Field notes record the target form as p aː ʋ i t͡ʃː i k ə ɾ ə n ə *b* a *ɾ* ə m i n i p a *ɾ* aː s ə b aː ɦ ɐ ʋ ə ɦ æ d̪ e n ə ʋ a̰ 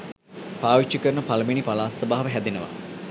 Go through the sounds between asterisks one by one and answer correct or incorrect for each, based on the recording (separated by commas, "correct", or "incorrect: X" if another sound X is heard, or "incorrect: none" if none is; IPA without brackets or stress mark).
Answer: incorrect: p, incorrect: l, incorrect: l